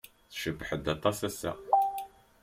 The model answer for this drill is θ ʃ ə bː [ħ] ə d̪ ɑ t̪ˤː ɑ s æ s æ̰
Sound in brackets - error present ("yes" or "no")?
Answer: no